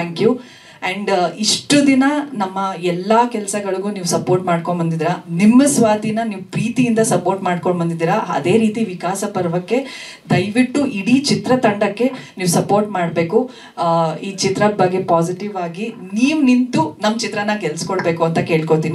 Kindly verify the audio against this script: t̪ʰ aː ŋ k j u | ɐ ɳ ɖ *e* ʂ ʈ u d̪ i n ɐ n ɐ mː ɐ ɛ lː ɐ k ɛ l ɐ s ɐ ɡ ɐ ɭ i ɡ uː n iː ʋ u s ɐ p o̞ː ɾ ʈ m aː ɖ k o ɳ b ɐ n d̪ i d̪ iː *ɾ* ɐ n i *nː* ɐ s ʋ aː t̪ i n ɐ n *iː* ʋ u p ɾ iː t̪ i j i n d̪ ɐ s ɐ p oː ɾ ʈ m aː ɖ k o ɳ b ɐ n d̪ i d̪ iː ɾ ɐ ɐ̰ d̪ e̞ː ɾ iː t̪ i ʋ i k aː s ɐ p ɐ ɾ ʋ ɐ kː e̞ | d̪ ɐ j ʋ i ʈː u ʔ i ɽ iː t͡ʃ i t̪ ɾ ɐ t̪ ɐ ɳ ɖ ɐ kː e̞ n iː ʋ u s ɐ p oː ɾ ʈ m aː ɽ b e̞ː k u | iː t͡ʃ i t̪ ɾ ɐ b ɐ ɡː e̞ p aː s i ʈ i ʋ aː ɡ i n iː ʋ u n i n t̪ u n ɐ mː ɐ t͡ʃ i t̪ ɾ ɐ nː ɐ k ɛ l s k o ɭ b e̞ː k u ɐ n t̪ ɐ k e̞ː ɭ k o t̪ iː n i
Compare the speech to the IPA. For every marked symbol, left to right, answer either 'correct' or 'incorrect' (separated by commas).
incorrect, correct, incorrect, correct